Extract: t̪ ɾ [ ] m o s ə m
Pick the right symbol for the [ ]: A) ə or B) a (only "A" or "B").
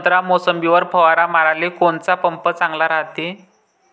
B